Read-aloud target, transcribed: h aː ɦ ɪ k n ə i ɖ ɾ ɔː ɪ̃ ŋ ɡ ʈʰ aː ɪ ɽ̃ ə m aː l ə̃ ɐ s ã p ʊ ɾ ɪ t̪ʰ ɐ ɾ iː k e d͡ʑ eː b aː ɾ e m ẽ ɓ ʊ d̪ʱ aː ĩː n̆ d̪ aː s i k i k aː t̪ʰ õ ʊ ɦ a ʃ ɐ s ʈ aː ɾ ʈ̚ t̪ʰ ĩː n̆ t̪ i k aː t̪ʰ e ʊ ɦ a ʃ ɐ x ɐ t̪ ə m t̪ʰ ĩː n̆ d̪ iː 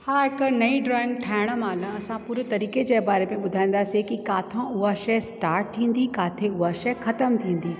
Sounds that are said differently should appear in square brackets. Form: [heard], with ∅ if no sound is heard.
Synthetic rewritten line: h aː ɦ ɪ k n [ɐ] i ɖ ɾ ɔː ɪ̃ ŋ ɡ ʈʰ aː ɪ ɽ̃ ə m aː l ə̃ ɐ s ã p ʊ ɾ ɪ [t̪] ɐ ɾ iː k e d͡ʑ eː b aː ɾ e m ẽ ɓ ʊ d̪ʱ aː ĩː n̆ d̪ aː s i k i k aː t̪ʰ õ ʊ ɦ a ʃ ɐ s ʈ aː ɾ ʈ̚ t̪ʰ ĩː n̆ [d̪] i k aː t̪ʰ e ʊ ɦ a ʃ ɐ x ɐ t̪ ə m t̪ʰ ĩː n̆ d̪ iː

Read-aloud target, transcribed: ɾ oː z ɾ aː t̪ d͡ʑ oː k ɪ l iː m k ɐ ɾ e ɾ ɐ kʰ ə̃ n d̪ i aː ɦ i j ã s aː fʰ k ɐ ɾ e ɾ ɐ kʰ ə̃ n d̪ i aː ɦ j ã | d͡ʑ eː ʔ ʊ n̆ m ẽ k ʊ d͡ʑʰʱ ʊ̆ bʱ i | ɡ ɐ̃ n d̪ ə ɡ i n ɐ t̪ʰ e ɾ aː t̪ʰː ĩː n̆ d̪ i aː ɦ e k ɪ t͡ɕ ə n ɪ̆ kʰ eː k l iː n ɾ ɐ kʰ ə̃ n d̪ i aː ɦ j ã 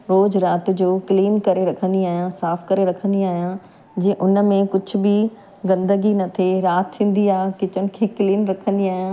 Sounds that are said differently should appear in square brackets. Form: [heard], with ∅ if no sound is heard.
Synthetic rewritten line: ɾ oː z ɾ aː t̪ d͡ʑ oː k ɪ l iː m k ɐ ɾ e ɾ ɐ kʰ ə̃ n d̪ i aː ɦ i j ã s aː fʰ k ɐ ɾ e ɾ ɐ kʰ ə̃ n d̪ i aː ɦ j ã | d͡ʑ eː ʔ ʊ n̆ m ẽ k ʊ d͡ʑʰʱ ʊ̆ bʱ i | ɡ ɐ̃ n d̪ ə ɡ i n ɐ t̪ʰ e ɾ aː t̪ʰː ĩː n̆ d̪ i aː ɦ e k ɪ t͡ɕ ə n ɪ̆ kʰ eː k l iː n ɾ ɐ kʰ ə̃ n d̪ i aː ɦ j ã

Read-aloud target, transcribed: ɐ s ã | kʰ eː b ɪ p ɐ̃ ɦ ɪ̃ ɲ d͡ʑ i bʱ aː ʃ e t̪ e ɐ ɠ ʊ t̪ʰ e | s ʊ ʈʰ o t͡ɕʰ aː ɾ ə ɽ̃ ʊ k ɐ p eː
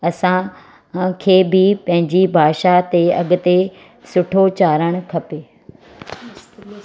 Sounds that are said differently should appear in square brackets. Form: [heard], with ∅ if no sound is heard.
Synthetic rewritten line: ɐ s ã | kʰ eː b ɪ p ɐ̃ ɦ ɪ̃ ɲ d͡ʑ i bʱ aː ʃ [a] t̪ e ɐ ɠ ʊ [t̪] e | s ʊ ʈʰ o [t͡ɕ] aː ɾ ə ɽ̃ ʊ [kʰ] ɐ p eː

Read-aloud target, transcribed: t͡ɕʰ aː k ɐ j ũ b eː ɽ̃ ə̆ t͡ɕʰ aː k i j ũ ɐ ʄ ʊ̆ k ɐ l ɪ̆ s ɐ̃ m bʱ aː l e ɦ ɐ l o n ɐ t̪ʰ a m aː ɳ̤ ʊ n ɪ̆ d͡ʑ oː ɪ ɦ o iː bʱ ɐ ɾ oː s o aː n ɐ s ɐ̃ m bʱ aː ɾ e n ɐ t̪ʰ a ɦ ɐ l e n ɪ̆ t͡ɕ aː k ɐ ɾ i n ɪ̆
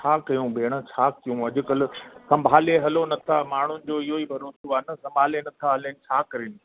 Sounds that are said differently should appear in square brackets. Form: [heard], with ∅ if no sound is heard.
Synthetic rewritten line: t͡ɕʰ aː k ɐ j ũ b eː ɽ̃ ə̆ t͡ɕʰ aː k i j ũ ɐ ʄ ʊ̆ k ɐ l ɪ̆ s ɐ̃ m bʱ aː l e ɦ ɐ l o n ɐ t̪ʰ a m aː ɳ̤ ʊ n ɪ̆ d͡ʑ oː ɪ ɦ o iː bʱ ɐ ɾ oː s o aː n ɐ s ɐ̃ m bʱ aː [l] e n ɐ t̪ʰ a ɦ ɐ l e n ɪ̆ [t͡ɕʰ] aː k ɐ ɾ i n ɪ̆

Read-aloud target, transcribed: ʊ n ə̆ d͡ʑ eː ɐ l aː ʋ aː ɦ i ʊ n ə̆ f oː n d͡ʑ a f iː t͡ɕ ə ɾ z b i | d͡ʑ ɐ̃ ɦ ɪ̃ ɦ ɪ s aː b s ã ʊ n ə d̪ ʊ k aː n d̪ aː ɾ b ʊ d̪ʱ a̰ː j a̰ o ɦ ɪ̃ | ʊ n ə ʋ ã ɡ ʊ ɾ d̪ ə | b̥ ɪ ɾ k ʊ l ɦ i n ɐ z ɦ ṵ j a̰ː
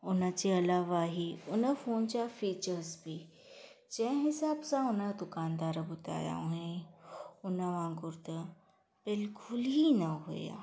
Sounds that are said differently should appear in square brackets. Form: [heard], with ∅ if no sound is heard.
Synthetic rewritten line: ʊ n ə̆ d͡ʑ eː ɐ l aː ʋ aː ɦ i ʊ n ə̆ f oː n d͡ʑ a f iː t͡ɕ ə ɾ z b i | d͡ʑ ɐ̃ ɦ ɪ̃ ɦ ɪ s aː b s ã ʊ n ə d̪ ʊ k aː n d̪ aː ɾ b ʊ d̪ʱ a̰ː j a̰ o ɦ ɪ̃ | ʊ n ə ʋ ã ɡ ʊ ɾ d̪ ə | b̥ ɪ [l] k ʊ l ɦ i n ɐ [∅] ɦ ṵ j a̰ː

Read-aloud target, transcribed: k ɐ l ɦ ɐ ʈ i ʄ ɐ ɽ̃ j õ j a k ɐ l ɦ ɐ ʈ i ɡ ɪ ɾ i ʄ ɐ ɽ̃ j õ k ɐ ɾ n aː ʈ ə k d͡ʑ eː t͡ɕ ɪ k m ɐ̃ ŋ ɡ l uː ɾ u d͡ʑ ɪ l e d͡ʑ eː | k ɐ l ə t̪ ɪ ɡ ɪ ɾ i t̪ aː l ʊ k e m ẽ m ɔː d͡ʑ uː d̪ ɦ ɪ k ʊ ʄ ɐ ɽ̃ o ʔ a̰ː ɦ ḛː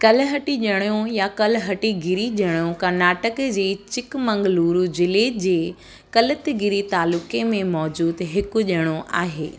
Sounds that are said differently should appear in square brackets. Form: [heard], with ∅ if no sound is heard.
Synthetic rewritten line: k ɐ l ɦ ɐ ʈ i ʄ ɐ ɽ̃ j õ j a k ɐ l ɦ ɐ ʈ i ɡ ɪ ɾ i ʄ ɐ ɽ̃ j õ k ɐ ɾ n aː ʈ ə k d͡ʑ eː t͡ɕ ɪ k m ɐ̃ ŋ ɡ l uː ɾ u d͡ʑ ɪ l e d͡ʑ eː | k ɐ l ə t̪ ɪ ɡ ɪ ɾ i t̪ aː l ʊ k e m ẽ m ɔː d͡ʑ uː d̪ ɦ ɪ k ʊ ʄ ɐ ɽ̃ o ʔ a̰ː ɦ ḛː

